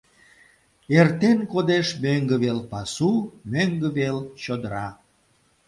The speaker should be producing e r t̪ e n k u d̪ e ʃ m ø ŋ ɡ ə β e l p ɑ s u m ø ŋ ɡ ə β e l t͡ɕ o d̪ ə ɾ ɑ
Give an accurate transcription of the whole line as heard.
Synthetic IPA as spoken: e r t̪ e n k o d̪ e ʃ m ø ŋ ɡ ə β e l p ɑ s u m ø ŋ ɡ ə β e l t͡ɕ o d̪ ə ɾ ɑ